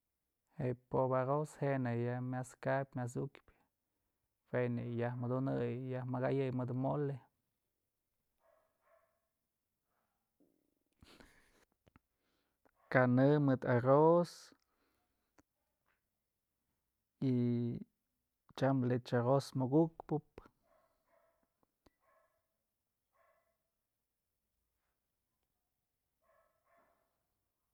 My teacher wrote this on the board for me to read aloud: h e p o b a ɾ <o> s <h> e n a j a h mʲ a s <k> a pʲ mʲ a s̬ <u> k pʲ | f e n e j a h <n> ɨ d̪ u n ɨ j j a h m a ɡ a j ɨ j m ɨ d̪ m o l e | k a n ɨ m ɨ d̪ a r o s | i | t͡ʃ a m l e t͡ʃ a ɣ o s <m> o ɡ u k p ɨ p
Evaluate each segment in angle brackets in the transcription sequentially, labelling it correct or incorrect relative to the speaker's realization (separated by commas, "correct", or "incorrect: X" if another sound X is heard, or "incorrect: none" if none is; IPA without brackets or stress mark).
correct, correct, correct, correct, incorrect: m, correct